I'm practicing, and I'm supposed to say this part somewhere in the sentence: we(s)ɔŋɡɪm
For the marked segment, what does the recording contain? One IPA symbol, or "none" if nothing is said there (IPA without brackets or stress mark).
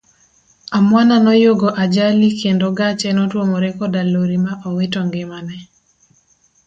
t